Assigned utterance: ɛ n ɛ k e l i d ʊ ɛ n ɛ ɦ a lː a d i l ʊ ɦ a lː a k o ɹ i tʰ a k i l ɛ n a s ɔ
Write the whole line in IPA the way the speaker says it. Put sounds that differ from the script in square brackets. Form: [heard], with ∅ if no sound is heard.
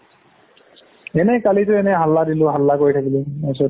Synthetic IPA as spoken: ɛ n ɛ k [a] l i [t] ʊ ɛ n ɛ ɦ a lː a d i l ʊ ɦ a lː a k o ɹ i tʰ a k i l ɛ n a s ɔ